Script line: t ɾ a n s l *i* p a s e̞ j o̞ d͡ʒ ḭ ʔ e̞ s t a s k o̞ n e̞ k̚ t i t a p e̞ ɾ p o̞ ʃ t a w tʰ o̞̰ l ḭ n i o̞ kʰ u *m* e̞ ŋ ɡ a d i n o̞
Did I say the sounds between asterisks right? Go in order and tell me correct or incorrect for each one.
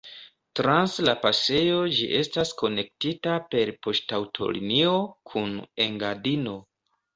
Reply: incorrect: a, incorrect: n

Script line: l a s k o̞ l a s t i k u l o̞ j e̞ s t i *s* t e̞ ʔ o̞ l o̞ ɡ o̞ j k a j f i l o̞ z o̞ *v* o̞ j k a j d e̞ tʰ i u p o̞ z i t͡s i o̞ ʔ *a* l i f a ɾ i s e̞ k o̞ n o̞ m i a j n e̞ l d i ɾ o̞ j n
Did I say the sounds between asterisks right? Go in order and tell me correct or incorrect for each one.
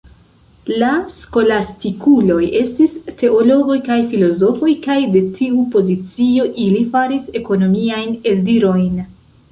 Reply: correct, incorrect: f, incorrect: i

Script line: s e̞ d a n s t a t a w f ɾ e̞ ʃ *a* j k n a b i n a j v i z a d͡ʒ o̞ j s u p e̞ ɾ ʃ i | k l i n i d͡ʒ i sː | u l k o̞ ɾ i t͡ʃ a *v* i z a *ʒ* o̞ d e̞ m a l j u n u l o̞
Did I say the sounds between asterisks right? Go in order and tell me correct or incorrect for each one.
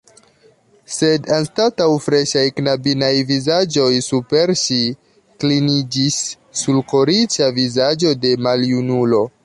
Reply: correct, correct, incorrect: d͡ʒ

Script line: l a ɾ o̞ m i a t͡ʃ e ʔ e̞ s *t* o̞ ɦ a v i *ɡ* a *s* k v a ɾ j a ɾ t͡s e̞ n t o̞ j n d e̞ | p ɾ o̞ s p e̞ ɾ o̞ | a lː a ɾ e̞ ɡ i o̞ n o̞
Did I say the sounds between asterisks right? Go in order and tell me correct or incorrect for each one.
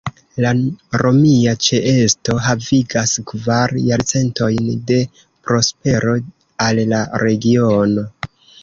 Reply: correct, correct, correct

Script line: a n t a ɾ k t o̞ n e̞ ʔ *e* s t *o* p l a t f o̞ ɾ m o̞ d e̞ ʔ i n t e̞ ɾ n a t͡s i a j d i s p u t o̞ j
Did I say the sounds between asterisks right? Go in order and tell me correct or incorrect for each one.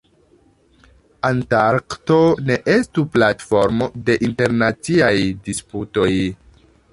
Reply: correct, incorrect: u

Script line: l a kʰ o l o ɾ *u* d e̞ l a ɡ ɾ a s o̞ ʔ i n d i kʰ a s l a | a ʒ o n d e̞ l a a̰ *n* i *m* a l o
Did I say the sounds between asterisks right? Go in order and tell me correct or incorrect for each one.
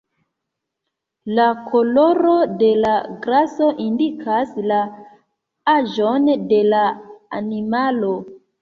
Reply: incorrect: o, correct, correct

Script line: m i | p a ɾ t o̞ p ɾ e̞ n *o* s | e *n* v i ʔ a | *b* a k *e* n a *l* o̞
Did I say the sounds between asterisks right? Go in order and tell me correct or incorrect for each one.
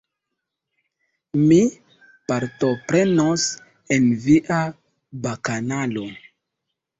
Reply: correct, correct, correct, incorrect: a, correct

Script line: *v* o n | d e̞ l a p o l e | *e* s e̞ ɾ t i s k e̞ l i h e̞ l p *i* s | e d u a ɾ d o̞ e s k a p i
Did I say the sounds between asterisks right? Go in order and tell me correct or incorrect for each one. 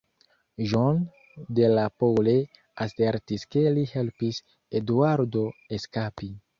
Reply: incorrect: ʒ, incorrect: a, correct

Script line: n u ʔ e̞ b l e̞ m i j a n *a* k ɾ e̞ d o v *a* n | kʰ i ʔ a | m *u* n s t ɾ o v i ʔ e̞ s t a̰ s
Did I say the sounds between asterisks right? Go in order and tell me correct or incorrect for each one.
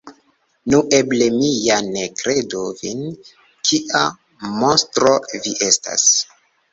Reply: incorrect: e, incorrect: i, incorrect: o

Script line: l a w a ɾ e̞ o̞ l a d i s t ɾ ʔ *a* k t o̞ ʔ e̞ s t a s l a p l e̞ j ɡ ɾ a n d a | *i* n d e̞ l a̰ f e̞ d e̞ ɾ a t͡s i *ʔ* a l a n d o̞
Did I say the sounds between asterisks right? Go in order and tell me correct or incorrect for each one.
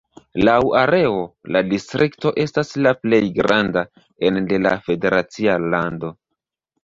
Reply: incorrect: i, incorrect: e, incorrect: none

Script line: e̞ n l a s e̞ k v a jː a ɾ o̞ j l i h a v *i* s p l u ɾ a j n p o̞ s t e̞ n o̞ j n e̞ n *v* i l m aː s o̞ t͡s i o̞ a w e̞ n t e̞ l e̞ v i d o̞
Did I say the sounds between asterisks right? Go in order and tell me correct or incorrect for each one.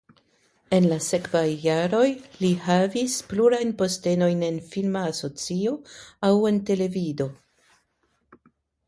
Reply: correct, incorrect: f

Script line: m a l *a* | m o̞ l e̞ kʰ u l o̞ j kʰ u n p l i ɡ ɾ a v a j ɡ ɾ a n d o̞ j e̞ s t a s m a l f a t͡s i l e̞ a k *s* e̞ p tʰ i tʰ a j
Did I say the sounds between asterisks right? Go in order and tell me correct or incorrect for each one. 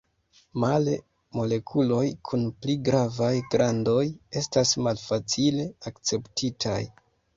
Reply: incorrect: e, incorrect: t͡s

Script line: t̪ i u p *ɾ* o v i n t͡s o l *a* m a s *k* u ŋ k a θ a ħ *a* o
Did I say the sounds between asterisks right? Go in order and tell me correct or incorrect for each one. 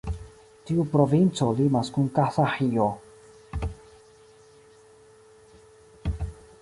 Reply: correct, incorrect: i, correct, incorrect: i

